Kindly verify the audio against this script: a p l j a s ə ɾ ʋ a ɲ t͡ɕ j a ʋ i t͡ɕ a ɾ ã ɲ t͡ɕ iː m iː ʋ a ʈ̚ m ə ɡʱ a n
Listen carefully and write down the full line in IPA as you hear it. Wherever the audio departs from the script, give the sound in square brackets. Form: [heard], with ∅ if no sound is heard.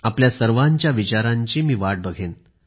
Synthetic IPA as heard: a p l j a s ə ɾ ʋ a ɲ t͡ɕ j a ʋ i t͡ɕ a ɾ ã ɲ t͡ɕ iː m iː ʋ a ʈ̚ [b] ə ɡʱ [e] n